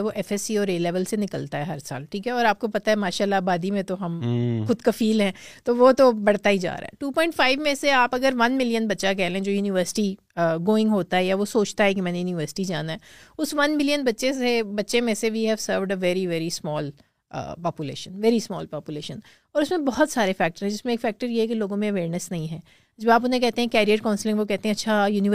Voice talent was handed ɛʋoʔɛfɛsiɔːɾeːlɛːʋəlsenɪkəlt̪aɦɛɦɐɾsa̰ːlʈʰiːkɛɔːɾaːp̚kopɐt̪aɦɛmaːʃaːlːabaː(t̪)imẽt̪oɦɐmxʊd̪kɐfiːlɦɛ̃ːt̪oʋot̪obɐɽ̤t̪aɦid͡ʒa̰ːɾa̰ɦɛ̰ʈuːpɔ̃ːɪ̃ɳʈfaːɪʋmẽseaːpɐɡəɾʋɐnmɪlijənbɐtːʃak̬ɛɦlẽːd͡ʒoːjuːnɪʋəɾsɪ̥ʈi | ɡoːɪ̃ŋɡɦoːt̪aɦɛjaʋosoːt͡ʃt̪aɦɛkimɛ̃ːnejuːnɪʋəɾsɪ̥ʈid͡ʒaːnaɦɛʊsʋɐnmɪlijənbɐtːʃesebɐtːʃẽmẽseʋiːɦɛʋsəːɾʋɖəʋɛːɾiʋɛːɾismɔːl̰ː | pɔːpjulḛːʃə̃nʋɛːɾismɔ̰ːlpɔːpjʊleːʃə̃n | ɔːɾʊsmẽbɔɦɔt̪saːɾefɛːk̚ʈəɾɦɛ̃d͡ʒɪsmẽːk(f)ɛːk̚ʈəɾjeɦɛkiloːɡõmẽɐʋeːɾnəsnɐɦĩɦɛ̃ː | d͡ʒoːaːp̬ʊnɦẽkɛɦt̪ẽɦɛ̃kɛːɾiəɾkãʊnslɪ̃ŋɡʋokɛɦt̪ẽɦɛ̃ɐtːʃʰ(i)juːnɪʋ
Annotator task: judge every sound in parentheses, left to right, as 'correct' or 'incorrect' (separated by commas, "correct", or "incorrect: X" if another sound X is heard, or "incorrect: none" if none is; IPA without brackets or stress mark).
incorrect: d̪, correct, incorrect: a